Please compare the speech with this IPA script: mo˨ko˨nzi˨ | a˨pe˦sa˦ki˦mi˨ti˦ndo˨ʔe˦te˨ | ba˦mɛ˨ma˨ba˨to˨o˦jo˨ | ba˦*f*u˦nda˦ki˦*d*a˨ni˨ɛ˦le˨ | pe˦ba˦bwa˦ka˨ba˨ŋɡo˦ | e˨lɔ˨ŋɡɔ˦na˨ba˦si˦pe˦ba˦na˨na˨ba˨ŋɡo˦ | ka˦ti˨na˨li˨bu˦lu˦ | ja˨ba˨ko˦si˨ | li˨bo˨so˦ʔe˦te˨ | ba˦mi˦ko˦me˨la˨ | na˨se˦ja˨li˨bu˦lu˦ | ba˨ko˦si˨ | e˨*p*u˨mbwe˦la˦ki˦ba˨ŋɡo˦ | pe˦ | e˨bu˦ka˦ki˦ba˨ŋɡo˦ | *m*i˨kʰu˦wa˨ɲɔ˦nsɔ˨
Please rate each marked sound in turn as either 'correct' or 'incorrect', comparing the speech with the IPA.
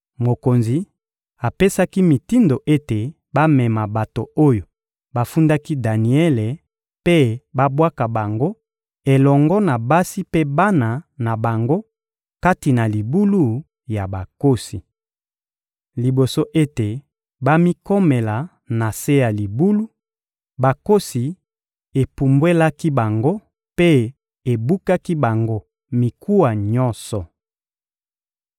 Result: correct, correct, correct, correct

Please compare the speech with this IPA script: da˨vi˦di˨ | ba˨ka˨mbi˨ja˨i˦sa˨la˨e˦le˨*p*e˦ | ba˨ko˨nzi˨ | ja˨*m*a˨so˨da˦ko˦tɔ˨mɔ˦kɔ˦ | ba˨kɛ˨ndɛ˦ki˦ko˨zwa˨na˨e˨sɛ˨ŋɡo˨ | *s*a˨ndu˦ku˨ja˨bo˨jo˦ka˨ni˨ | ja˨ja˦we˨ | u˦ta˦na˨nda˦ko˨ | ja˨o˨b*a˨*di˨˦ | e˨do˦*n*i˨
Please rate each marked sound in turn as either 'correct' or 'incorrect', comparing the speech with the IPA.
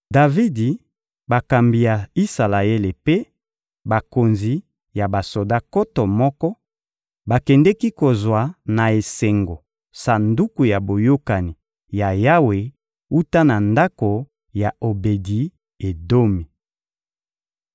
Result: correct, incorrect: b, correct, incorrect: e˨, incorrect: m

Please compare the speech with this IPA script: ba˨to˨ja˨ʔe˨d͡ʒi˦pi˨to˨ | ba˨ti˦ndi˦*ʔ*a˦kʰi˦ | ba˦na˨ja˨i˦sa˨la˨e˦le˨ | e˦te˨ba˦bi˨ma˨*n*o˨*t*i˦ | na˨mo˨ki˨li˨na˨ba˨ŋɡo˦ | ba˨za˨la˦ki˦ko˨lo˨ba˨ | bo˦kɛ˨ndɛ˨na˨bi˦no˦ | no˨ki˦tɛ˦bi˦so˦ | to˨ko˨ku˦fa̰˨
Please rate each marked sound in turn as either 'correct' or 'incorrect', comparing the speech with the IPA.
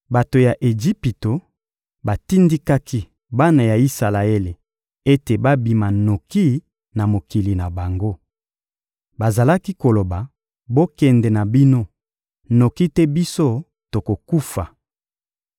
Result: incorrect: k, correct, incorrect: k

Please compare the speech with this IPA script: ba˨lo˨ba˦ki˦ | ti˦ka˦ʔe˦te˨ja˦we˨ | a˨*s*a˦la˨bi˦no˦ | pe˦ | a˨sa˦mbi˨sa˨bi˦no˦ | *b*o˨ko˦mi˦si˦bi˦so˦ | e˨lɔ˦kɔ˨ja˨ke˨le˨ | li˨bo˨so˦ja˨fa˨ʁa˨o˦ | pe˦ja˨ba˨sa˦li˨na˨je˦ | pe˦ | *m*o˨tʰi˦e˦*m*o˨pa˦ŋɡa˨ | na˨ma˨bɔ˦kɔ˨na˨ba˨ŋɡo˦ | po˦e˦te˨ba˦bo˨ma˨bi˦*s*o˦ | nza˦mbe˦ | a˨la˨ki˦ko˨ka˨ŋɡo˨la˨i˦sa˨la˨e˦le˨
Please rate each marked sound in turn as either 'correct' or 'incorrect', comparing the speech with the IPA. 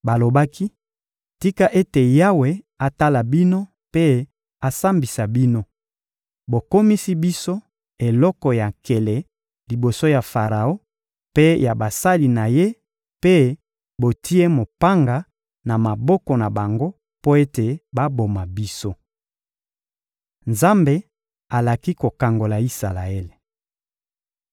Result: incorrect: t, correct, incorrect: b, correct, correct

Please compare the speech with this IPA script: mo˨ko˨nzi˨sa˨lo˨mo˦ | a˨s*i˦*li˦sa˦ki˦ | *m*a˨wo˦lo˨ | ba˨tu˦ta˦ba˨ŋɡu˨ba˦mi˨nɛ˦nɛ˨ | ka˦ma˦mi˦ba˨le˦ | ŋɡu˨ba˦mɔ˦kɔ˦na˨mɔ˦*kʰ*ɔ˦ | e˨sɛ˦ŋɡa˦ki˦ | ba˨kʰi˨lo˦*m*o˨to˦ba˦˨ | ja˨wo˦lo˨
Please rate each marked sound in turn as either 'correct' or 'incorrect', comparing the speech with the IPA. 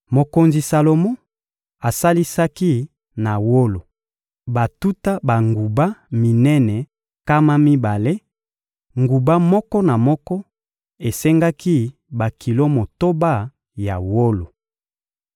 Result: incorrect: a˦, incorrect: n, incorrect: k, correct

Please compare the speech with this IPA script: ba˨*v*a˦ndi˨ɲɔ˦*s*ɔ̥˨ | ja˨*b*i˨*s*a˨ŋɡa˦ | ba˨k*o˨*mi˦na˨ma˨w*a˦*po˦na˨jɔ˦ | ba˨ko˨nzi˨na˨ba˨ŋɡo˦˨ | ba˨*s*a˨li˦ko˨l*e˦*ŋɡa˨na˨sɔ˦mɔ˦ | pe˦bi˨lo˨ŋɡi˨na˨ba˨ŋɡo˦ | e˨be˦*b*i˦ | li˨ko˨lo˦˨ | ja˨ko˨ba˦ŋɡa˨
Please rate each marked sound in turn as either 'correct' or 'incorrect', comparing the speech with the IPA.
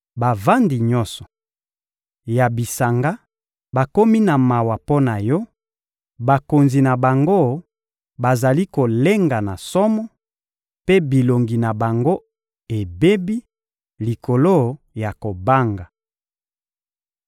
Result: correct, correct, correct, correct, incorrect: o˦, incorrect: a˨, incorrect: z, correct, correct

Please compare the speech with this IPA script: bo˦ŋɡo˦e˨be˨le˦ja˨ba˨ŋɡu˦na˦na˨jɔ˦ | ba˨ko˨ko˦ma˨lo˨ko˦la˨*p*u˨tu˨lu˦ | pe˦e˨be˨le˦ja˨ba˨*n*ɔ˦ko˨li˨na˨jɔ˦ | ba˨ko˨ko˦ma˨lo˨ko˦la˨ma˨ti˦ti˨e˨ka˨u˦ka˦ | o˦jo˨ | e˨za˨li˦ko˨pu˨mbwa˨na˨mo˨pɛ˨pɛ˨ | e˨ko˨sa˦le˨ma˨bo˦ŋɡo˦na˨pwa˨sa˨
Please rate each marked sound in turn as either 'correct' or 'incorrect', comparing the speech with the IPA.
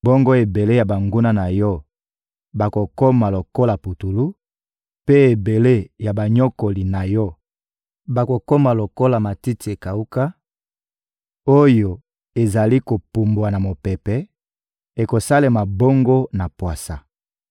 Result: correct, incorrect: ɲ

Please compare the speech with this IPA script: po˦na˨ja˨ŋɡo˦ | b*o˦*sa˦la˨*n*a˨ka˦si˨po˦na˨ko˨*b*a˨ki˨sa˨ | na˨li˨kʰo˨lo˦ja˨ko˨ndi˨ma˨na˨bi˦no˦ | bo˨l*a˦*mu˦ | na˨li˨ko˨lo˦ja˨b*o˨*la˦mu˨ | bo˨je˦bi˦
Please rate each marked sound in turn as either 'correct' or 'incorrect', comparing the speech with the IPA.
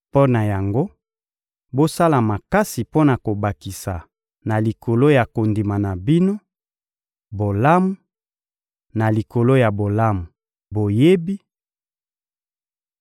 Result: correct, incorrect: m, correct, correct, correct

